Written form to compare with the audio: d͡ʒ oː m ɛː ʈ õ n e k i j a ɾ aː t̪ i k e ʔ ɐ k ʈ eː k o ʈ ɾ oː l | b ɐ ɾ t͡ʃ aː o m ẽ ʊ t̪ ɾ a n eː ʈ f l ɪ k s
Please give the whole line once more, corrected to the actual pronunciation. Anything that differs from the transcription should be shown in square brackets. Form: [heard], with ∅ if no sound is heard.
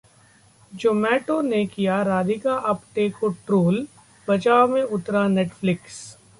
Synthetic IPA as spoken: d͡ʒ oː m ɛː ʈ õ n e k i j a ɾ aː [d̪] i k [a] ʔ ɐ [p] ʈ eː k o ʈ ɾ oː l | b ɐ [∅] t͡ʃ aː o m ẽ ʊ t̪ ɾ a n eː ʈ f l ɪ k s